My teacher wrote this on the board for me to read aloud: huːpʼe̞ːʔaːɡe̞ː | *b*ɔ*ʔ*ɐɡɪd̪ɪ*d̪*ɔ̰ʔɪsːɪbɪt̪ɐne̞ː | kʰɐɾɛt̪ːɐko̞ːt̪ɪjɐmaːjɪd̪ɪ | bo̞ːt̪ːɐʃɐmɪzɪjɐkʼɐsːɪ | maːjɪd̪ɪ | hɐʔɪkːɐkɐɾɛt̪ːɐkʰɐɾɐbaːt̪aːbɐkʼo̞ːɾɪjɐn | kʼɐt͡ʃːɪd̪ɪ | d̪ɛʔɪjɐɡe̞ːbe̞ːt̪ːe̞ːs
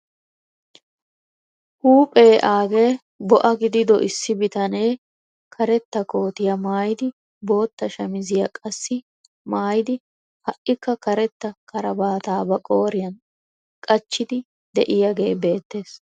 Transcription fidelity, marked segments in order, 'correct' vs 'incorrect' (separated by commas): correct, correct, correct